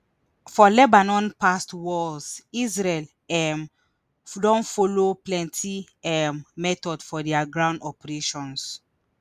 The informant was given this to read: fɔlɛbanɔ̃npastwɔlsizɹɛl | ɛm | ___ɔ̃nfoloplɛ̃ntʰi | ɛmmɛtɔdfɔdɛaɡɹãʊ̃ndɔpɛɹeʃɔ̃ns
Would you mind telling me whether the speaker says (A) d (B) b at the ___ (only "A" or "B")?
A